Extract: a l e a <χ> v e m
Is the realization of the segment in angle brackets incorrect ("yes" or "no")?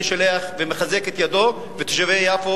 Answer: no